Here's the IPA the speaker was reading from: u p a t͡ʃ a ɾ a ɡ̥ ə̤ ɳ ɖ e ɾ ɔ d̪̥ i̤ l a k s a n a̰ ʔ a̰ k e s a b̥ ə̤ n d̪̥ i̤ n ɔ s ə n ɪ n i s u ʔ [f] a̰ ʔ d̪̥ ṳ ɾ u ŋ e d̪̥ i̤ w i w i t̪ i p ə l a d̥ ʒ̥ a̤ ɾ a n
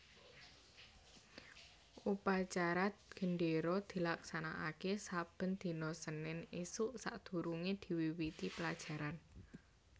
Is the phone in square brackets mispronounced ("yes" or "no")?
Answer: yes